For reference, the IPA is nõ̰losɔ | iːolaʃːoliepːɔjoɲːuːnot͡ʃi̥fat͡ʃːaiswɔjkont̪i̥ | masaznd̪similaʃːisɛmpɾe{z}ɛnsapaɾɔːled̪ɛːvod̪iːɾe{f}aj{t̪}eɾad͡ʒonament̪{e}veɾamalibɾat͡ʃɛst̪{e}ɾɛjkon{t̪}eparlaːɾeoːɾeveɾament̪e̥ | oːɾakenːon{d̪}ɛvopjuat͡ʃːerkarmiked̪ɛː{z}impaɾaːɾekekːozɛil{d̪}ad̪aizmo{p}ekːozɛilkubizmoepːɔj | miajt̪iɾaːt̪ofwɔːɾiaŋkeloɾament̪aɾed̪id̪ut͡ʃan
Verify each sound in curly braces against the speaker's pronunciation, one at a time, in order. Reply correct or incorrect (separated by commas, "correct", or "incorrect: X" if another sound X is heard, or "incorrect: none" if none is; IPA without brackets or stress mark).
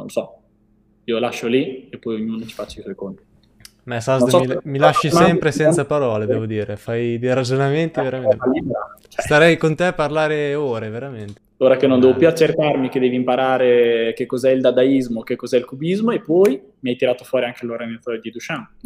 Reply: incorrect: s, correct, incorrect: d̪, incorrect: i, incorrect: a, correct, correct, incorrect: v, correct, incorrect: k